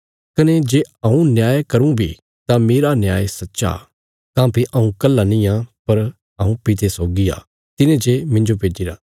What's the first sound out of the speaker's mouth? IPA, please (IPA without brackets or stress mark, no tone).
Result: k